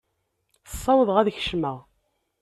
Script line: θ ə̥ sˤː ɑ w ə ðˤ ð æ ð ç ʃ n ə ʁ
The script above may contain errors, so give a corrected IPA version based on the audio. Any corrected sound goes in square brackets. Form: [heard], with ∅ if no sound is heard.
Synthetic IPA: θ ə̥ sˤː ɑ w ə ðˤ [ʁ] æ ð ç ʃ [m] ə ʁ